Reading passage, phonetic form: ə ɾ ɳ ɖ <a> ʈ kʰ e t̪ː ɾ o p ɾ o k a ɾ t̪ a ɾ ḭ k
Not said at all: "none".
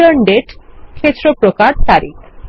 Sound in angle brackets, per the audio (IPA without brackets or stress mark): e